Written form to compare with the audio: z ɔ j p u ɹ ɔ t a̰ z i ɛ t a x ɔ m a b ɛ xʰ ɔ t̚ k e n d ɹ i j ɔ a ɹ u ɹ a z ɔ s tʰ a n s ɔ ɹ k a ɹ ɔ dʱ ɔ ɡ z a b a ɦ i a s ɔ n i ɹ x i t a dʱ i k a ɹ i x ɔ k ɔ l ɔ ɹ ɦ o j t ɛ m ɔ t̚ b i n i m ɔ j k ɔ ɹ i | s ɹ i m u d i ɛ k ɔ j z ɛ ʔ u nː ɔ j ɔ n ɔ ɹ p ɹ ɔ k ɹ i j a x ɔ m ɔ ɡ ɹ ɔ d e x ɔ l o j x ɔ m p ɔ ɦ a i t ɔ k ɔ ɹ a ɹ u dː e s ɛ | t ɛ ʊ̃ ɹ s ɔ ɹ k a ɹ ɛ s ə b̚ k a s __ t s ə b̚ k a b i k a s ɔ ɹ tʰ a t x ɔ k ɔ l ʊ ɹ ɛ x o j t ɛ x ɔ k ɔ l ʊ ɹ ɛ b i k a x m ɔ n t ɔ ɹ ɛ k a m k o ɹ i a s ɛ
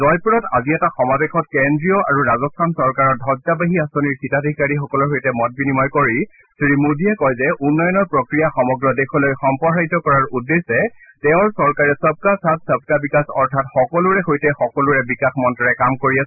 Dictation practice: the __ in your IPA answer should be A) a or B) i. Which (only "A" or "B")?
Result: A